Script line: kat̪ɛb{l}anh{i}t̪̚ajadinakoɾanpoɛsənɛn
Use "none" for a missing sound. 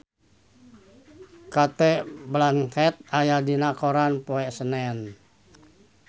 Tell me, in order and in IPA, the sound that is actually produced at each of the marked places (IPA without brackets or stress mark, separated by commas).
l, ɛ